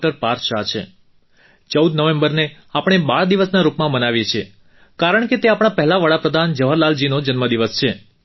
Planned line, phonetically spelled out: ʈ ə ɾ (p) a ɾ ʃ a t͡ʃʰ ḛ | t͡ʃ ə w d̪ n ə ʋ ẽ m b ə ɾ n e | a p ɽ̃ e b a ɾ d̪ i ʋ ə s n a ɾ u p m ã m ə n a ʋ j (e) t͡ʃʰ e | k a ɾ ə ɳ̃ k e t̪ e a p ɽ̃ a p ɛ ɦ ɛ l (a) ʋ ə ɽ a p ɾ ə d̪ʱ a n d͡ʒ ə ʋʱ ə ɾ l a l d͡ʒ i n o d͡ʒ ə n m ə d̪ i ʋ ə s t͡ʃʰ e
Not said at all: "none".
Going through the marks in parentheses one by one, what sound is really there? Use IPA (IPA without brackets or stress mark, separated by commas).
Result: p, e, a